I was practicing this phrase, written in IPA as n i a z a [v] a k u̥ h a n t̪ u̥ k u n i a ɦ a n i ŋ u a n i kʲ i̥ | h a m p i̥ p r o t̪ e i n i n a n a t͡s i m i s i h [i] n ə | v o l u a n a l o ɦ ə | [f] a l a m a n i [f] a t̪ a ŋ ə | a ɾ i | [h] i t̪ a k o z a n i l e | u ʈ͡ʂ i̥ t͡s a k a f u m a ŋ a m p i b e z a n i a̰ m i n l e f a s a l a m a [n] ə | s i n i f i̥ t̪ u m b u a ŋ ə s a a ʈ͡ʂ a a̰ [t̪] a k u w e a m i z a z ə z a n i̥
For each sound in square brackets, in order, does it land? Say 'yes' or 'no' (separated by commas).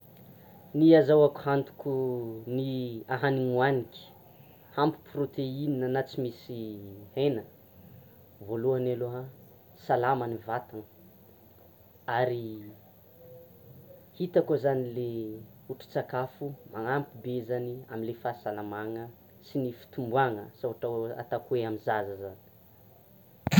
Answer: no, no, no, no, yes, no, yes